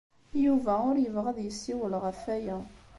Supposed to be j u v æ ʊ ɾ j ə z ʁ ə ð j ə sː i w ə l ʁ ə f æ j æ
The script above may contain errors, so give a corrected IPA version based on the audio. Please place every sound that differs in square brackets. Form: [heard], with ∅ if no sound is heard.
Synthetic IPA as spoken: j u v æ ʊ ɾ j ə [v] ʁ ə ð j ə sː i w ə l ʁ ə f æ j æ